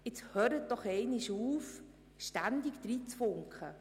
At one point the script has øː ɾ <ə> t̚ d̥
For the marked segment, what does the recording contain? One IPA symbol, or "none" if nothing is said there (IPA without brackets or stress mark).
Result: ə